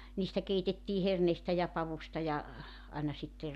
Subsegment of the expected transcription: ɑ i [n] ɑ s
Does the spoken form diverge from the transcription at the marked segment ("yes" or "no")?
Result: no